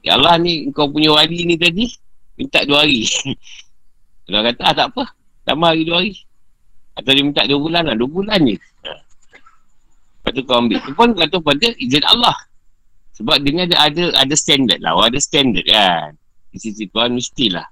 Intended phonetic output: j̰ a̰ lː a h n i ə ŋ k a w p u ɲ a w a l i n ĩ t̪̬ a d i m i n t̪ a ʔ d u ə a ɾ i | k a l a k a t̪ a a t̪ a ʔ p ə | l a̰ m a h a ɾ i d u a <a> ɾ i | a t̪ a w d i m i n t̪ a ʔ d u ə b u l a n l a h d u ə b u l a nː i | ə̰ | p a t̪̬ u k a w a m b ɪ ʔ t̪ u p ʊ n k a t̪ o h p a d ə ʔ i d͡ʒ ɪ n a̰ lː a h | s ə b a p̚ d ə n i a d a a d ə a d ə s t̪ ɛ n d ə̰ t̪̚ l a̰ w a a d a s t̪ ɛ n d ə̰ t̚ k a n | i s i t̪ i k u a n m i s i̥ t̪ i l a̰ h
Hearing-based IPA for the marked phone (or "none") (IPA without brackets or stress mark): a